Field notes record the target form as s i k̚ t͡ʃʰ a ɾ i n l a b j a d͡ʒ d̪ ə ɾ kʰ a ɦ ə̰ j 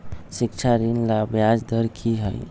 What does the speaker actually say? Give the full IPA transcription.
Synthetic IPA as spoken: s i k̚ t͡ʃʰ a ɾ i n l a b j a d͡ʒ d̪ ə ɾ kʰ i ɦ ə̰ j